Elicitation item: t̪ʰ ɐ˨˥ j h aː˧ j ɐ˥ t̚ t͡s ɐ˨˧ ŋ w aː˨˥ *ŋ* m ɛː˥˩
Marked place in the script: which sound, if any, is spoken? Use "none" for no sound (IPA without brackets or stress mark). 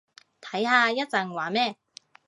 none